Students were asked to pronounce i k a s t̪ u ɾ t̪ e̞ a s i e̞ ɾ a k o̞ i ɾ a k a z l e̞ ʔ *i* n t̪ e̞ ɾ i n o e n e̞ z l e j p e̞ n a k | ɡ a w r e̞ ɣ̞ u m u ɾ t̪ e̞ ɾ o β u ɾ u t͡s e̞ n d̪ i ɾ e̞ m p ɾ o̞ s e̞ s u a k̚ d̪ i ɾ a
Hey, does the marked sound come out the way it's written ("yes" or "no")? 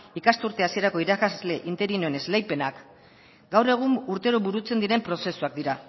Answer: yes